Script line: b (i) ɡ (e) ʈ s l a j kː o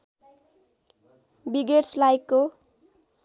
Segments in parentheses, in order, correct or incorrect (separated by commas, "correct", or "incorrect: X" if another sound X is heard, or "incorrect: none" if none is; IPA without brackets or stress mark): correct, correct